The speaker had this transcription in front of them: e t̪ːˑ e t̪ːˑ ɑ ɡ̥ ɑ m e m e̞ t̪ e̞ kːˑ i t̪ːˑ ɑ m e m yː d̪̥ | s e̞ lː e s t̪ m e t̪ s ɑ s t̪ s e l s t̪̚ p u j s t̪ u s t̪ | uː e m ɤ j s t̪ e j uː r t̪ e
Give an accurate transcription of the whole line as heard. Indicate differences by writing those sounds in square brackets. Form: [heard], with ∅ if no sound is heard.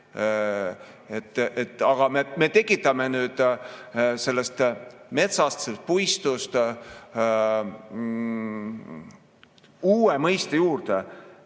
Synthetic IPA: e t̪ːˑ e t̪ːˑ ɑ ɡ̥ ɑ m e m e̞ t̪ e̞ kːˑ i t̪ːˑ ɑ m e [n] yː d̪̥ | s e̞ lː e s t̪ m e t̪ s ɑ s t̪ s e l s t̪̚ p u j s t̪ u s t̪ | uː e m ɤ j s t̪ e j uː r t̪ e